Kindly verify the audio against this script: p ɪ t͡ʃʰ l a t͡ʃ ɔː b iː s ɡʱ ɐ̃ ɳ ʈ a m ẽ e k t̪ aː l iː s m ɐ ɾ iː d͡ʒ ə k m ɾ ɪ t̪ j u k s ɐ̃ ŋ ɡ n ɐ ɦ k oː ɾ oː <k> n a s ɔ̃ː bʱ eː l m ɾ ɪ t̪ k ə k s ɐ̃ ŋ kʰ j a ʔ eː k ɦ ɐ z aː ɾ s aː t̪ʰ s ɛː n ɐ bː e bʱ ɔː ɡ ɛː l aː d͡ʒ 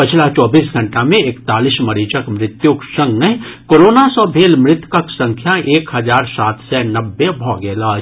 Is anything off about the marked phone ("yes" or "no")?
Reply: yes